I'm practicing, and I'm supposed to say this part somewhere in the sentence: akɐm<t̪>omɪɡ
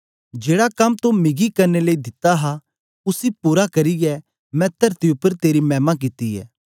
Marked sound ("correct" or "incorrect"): correct